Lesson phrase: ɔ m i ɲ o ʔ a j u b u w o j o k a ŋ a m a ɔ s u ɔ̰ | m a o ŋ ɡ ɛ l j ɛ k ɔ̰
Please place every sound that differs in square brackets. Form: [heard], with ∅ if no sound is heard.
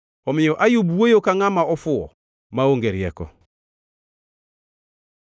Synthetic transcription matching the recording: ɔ m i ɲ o ʔ a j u b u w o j o k a ŋ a m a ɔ [f] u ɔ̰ | m a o ŋ ɡ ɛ [ɾ] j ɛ k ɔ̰